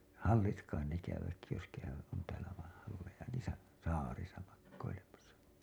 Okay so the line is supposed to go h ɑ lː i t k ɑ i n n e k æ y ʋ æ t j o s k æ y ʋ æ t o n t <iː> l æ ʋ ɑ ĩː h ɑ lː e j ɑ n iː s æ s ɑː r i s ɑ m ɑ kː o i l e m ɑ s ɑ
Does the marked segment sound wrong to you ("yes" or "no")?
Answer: yes